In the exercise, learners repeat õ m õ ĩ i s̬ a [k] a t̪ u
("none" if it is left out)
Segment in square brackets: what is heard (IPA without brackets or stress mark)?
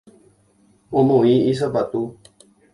p